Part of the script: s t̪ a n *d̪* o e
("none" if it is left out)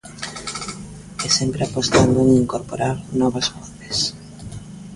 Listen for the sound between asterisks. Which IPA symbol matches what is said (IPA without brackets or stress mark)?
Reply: d̪